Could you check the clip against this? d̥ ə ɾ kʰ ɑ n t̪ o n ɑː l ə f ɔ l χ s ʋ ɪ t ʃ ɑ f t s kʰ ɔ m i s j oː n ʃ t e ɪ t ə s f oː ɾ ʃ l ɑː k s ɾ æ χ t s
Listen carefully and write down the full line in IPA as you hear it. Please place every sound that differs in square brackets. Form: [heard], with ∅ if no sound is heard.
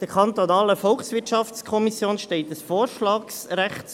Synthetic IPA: d̥ ə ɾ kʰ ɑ n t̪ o n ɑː l ə f ɔ l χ s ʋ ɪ t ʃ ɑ f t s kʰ ɔ m i s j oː n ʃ t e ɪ t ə s f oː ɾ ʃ l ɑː k s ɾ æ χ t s